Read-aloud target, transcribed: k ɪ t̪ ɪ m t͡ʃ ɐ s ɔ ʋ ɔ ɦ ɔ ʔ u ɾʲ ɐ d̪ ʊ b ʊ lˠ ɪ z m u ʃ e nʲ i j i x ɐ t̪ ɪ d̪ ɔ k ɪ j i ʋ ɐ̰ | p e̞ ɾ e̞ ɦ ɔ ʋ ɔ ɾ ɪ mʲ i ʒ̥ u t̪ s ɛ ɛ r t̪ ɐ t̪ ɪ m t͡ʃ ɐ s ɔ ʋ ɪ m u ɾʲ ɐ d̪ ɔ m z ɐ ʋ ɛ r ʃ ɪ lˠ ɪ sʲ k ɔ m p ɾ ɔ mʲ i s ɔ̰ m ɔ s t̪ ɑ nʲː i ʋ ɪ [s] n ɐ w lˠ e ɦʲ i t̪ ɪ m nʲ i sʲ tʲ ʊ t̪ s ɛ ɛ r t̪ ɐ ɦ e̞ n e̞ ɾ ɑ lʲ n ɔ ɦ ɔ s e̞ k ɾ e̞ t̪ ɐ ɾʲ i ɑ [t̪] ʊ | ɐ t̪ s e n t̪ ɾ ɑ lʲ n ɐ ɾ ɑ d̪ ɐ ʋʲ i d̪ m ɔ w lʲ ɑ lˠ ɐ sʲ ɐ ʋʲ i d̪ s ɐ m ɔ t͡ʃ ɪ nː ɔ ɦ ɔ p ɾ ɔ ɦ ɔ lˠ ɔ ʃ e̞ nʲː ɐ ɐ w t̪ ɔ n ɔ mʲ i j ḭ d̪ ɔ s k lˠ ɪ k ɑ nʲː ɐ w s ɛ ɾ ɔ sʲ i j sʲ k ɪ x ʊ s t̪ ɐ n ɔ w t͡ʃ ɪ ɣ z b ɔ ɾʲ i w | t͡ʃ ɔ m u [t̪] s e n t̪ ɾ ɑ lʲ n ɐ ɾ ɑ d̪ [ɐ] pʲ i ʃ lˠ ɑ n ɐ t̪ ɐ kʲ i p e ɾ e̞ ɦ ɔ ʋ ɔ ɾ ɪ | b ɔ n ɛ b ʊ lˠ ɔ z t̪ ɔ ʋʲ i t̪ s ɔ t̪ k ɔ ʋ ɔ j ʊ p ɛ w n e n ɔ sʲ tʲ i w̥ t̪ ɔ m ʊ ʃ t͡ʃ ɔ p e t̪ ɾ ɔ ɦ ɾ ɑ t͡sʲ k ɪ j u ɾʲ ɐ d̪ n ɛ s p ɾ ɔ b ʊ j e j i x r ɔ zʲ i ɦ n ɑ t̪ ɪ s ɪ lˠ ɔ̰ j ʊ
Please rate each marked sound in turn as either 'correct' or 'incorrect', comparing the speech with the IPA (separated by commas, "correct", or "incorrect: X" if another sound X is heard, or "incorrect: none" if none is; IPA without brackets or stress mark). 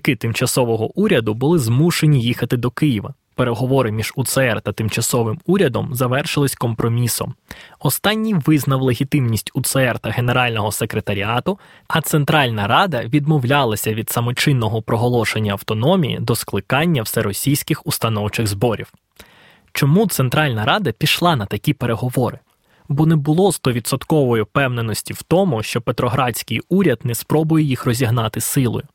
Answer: incorrect: z, correct, correct, correct